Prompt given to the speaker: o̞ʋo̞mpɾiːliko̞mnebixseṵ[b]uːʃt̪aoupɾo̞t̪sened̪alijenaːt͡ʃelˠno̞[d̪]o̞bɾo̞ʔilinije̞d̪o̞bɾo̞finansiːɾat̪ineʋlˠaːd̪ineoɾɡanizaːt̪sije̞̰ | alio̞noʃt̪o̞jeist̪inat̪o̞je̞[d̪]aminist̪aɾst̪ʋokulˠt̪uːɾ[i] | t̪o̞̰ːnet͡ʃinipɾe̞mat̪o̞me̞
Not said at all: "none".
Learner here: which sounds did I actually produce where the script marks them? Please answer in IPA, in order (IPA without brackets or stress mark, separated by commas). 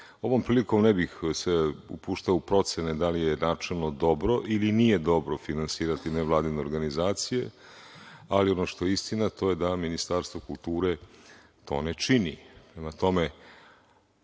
p, d̪, d̪, e